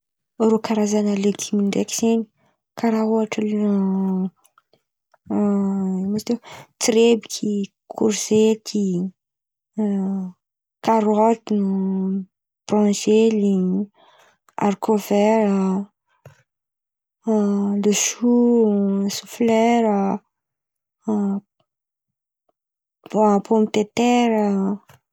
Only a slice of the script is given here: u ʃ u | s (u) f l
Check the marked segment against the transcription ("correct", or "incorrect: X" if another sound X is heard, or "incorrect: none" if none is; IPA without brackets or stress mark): correct